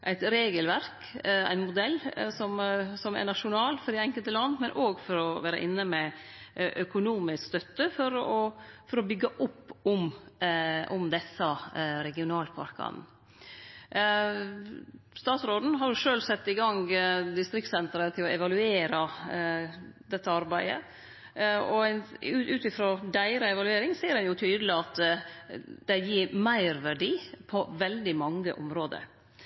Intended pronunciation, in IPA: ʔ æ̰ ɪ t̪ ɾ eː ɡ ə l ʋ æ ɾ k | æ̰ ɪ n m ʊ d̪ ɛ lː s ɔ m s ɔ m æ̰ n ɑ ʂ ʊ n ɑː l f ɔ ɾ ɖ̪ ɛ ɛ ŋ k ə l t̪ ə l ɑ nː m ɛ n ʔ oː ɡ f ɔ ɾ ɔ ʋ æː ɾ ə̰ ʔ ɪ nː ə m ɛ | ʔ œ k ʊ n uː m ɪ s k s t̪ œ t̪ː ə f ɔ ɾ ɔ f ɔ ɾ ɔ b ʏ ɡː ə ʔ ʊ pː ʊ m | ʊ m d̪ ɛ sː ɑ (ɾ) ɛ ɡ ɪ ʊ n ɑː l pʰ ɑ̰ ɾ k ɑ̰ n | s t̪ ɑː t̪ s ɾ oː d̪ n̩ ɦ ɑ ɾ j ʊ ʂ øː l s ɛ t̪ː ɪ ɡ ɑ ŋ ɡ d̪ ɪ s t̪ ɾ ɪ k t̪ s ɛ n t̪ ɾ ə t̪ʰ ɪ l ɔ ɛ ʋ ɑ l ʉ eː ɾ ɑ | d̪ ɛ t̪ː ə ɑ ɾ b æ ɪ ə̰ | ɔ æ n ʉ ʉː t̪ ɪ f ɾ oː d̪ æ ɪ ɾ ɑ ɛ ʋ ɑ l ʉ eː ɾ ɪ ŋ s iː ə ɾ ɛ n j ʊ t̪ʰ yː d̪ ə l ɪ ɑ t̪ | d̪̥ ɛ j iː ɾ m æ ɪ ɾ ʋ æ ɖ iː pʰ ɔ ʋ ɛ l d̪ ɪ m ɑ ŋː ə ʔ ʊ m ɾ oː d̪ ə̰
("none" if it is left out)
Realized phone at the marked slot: ɾ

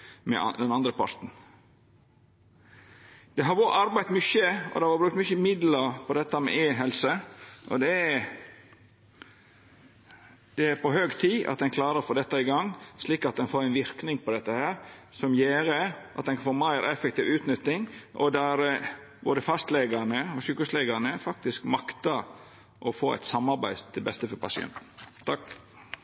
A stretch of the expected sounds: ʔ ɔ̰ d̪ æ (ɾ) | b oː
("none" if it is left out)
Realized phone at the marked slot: ɾ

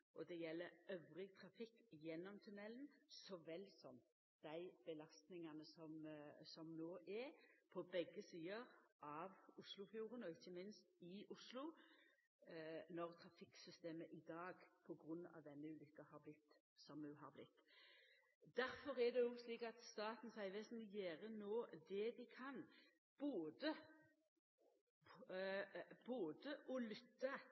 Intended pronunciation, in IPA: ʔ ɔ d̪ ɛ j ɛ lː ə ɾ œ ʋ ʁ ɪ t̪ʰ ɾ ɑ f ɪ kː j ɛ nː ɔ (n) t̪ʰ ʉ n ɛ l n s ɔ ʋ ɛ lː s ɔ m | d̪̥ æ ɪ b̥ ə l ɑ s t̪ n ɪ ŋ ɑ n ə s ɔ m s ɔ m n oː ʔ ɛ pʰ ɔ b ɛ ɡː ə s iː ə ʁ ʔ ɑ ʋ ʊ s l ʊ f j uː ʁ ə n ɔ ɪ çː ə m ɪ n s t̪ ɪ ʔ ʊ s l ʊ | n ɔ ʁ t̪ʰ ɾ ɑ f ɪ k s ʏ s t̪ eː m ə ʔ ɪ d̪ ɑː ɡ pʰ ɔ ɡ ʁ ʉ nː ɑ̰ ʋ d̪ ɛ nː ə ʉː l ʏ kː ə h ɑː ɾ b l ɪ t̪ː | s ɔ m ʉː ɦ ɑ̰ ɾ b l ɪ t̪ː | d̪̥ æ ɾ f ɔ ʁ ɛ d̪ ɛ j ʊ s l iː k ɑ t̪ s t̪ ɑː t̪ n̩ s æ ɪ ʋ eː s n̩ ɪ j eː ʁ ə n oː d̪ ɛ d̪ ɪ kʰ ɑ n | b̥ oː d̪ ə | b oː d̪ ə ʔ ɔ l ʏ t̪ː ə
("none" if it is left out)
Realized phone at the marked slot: m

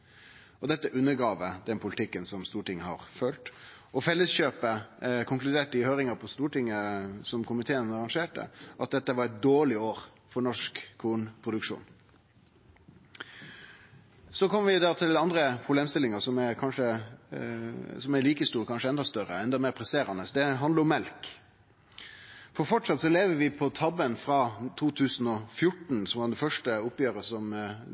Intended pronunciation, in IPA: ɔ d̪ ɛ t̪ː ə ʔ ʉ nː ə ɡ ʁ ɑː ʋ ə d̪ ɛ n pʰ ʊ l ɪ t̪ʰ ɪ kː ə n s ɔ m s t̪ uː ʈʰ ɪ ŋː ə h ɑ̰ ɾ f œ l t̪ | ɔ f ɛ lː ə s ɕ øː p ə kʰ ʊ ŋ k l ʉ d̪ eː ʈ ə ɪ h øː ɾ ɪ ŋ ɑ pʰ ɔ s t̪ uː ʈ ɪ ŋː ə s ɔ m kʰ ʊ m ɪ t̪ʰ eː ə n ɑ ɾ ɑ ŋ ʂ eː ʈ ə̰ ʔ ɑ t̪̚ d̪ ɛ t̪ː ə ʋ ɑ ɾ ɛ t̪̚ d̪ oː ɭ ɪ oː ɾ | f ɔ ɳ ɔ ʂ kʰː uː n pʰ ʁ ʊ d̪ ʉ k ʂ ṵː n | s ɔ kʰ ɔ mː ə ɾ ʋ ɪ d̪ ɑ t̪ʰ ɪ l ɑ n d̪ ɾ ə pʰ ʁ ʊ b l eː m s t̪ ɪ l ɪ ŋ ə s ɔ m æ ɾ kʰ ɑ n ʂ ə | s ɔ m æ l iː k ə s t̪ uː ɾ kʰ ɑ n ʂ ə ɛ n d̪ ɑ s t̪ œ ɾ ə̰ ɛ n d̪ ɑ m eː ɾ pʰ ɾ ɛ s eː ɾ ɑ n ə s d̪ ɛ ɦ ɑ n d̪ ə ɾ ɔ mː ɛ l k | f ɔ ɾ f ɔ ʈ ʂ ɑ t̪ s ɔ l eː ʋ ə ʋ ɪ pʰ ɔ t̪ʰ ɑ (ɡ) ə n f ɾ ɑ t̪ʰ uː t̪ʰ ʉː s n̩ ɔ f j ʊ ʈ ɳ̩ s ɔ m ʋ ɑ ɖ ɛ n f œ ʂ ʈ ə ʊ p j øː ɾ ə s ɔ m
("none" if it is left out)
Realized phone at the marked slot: b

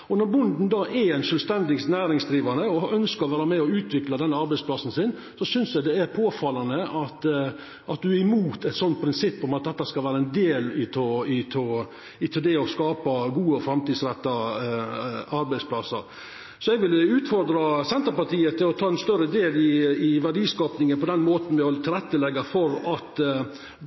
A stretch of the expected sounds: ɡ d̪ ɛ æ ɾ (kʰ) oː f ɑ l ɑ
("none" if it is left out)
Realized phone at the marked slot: pʰ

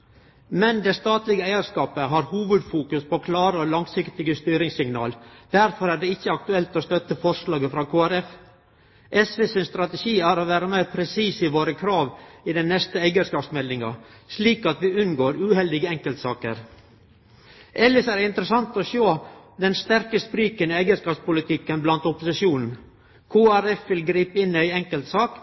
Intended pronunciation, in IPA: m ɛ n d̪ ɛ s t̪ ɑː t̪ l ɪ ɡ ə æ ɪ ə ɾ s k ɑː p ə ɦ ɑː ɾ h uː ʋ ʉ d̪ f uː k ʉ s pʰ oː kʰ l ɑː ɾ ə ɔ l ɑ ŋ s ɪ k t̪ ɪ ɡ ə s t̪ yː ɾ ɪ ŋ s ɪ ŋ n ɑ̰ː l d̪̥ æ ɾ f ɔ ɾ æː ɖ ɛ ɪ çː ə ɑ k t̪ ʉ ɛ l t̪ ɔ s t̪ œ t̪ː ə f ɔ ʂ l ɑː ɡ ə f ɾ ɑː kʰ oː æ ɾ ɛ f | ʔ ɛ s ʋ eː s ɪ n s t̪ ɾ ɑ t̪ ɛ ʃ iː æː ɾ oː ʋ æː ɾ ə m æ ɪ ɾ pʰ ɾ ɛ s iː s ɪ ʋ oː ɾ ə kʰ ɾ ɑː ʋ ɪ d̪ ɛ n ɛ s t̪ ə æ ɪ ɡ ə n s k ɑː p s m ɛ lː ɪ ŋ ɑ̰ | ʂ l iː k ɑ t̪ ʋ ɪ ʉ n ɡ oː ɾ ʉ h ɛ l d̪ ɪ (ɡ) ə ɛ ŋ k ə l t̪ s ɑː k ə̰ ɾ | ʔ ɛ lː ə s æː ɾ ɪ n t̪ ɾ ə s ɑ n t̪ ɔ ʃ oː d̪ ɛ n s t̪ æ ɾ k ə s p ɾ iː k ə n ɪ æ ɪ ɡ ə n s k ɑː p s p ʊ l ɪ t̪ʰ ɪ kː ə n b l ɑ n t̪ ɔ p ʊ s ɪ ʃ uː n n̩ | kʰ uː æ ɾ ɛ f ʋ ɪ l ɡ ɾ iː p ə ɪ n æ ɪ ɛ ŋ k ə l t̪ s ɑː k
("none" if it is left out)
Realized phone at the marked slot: ɡ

